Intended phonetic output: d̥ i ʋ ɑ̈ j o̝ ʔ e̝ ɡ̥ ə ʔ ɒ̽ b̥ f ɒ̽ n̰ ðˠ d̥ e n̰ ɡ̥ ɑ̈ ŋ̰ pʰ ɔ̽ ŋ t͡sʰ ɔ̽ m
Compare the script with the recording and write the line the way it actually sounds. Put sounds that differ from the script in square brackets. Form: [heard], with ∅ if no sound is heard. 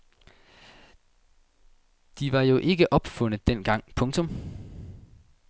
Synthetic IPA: d̥ i ʋ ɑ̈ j o̝ ʔ e̝ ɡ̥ ə ʔ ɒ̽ b̥ f [ɔ̽] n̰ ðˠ d̥ e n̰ ɡ̥ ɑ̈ ŋ̰ pʰ ɔ̽ ŋ t͡sʰ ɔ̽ m